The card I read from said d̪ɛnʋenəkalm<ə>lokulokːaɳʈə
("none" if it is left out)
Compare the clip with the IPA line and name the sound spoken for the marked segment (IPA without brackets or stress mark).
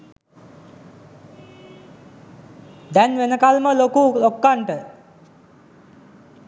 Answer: ə